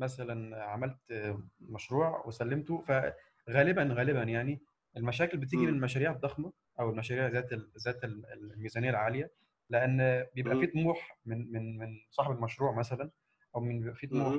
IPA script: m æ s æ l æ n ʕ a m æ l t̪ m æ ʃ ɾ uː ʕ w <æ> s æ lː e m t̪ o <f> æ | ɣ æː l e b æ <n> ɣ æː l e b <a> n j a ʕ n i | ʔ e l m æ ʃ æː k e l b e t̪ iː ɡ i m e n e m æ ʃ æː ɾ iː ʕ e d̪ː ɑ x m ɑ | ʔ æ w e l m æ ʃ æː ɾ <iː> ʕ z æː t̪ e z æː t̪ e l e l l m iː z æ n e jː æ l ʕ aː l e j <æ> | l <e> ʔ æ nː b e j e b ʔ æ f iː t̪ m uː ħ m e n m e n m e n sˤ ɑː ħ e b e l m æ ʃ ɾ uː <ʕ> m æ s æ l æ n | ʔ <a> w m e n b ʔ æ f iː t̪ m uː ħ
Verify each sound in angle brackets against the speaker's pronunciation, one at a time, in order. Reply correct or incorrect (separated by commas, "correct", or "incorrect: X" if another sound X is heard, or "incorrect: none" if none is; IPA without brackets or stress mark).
incorrect: e, correct, correct, incorrect: æ, correct, correct, correct, correct, incorrect: æ